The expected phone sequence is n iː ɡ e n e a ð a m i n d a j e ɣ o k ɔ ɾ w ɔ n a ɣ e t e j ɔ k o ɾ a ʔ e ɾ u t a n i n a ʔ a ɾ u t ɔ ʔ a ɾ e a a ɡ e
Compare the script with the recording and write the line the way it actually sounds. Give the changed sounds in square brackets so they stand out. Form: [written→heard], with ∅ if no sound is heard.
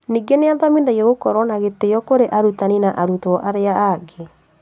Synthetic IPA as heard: n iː ɡ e n e a ð a m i n d a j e ɣ o k ɔ ɾ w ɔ n a ɣ e t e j ɔ k o ɾ [a→e] ʔ [e→a] ɾ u t a n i n a ʔ a ɾ u t ɔ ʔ a ɾ e a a ɡ e

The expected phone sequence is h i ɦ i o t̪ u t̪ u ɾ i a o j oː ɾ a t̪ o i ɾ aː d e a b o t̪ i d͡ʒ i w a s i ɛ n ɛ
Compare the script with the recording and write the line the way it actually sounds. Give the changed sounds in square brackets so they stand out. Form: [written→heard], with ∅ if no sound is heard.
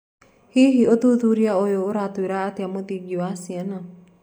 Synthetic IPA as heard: h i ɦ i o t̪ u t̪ u ɾ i a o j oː ɾ a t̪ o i ɾ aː [d→t] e a [b→m] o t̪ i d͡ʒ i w a s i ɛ n [ɛ→a]

